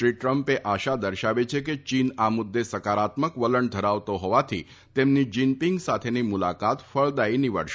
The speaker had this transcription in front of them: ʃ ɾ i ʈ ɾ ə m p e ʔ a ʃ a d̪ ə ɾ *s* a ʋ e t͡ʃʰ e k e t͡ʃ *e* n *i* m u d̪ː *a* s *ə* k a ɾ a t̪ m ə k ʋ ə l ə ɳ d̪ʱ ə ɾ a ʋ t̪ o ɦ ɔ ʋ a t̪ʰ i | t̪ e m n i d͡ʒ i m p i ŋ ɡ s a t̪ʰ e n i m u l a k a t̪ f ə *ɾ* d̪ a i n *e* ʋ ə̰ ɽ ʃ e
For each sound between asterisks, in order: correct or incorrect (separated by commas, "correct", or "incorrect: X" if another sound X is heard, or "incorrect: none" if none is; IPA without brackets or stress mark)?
incorrect: ʃ, incorrect: i, incorrect: a, incorrect: e, correct, incorrect: ɭ, incorrect: i